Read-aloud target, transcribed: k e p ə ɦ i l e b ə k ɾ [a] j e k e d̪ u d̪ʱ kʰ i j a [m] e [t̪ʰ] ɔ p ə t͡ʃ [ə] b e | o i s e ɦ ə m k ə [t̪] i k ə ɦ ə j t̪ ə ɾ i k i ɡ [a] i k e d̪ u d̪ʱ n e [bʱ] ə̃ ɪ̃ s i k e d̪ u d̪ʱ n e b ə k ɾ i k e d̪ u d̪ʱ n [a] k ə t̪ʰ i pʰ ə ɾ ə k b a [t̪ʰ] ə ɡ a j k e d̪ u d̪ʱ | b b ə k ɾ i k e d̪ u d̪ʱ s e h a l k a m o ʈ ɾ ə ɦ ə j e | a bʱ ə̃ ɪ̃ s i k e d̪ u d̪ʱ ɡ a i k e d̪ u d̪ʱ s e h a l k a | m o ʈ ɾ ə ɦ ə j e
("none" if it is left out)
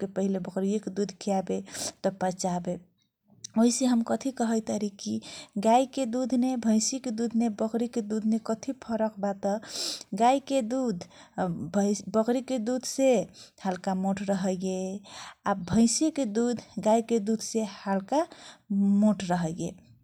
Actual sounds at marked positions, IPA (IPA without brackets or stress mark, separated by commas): i, b, t̪, a, t̪ʰ, a, bʱ, e, t̪